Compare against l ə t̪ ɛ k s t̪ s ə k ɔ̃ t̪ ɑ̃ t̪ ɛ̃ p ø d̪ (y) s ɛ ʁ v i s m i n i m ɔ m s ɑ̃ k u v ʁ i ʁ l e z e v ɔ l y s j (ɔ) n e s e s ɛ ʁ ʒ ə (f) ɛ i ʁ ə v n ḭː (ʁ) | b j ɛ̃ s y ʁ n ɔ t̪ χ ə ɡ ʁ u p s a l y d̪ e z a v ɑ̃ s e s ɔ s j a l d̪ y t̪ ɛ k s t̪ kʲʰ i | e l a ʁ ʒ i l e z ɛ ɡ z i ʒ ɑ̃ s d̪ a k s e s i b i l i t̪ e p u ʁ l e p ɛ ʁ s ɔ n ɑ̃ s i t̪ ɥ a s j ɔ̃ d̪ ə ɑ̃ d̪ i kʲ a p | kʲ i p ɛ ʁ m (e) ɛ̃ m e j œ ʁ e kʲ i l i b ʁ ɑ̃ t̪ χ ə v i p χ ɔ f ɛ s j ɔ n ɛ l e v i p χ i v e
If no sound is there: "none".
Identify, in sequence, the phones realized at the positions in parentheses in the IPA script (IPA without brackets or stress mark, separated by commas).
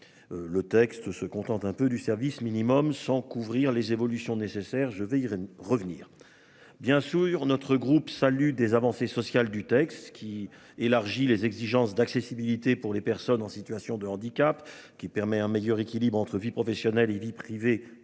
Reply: y, ɔ̃, v, ʁ, ɛ